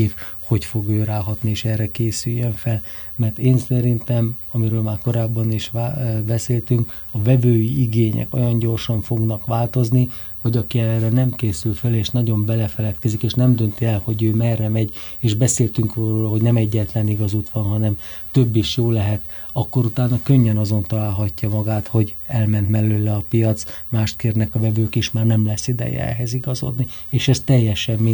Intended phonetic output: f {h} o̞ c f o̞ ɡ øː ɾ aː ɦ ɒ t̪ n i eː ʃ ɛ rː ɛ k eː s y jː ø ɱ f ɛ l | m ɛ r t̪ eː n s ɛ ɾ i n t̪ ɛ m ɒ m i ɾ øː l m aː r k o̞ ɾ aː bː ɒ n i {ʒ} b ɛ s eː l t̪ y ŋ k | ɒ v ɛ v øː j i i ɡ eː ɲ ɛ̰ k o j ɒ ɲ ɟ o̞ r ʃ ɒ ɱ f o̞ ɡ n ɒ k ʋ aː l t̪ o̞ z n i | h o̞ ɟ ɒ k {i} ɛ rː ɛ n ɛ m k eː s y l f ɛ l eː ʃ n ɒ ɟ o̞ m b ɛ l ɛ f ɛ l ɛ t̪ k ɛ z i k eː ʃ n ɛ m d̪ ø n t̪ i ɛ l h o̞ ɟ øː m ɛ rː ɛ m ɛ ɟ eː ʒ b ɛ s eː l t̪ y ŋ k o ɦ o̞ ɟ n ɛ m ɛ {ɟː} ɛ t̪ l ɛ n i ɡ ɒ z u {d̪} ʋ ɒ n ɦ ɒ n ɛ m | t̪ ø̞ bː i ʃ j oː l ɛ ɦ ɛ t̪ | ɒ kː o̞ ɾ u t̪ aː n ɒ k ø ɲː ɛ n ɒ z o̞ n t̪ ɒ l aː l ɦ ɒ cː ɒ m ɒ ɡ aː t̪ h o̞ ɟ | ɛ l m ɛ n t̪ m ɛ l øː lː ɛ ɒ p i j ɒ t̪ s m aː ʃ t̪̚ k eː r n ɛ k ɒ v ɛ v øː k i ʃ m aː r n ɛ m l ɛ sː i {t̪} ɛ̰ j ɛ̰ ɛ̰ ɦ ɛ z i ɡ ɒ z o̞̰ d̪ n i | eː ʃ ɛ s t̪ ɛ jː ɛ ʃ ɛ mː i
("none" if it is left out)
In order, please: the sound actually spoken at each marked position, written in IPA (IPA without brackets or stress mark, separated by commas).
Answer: h, ʃ, i, ɟː, t̪, d̪